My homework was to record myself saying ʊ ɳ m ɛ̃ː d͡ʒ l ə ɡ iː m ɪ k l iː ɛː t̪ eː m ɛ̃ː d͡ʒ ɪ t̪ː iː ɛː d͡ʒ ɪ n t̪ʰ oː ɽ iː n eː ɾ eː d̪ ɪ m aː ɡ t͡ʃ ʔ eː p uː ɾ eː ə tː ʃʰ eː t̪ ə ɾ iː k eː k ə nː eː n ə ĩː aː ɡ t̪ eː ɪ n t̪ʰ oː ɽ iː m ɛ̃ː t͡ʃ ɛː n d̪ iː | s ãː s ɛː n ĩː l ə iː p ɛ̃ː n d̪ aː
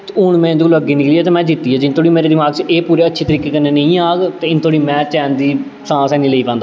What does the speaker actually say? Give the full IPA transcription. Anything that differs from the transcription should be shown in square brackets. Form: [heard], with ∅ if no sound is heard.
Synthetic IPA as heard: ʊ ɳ m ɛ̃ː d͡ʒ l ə ɡ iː [n] ɪ k l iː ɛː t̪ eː m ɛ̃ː d͡ʒ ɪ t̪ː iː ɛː d͡ʒ ɪ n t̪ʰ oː ɽ iː [m] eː ɾ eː d̪ ɪ m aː ɡ t͡ʃ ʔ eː p uː ɾ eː ə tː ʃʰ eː t̪ ə ɾ iː k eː k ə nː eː n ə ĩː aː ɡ t̪ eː ɪ n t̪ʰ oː ɽ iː m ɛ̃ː t͡ʃ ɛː n d̪ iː | s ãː s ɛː n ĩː l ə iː p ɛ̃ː n d̪ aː

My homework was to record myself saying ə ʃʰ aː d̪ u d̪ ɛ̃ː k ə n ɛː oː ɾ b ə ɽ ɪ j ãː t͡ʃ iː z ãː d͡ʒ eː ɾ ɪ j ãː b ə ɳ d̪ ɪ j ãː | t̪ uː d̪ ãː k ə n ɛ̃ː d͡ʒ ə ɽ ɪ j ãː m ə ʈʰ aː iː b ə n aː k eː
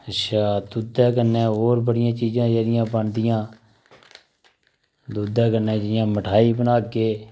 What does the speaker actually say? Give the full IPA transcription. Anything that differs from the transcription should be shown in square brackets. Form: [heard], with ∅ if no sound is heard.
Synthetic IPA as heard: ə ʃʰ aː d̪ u d̪ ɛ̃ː k ə n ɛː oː ɾ b ə ɽ ɪ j ãː t͡ʃ iː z ãː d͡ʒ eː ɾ ɪ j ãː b ə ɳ d̪ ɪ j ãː | [d̪] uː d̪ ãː k ə n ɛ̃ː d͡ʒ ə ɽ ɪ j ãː m ə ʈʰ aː iː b ə n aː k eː

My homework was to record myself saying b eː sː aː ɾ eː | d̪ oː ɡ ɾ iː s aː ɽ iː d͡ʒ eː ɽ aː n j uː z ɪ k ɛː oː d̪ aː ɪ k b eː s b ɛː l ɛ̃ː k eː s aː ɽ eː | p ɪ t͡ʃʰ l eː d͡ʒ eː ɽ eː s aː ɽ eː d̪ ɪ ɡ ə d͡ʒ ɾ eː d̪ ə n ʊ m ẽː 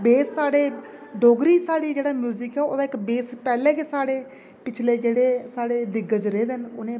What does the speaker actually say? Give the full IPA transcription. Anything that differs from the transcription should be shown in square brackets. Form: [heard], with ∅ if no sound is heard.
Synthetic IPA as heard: b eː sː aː [ɽ] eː | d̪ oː ɡ ɾ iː s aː ɽ iː d͡ʒ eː ɽ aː [m] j uː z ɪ k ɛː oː d̪ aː ɪ k b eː s [p] ɛː l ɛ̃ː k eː s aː ɽ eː | p ɪ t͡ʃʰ l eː d͡ʒ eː ɽ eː s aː ɽ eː d̪ ɪ ɡ ə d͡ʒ ɾ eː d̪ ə n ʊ [n] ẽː

